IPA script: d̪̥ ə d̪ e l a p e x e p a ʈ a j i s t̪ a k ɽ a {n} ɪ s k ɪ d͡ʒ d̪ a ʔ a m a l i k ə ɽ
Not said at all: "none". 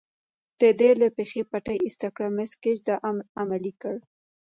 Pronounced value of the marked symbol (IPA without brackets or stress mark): m